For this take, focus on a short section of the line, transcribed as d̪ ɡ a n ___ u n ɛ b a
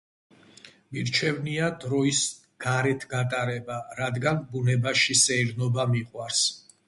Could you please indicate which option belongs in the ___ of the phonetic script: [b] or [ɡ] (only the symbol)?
b